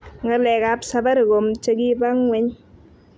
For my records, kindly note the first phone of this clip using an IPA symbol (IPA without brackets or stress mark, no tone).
ŋ